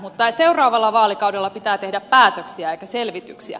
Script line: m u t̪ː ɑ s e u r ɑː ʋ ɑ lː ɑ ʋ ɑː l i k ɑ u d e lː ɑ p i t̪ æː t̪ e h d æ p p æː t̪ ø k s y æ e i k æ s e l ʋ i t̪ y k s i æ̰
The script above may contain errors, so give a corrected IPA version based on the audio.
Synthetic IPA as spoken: m u t̪ː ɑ s e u r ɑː ʋ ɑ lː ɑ ʋ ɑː l i k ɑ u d e lː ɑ p i t̪ æː t̪ e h d æ p p æː t̪ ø k s i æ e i k æ s e l ʋ i t̪ y k s i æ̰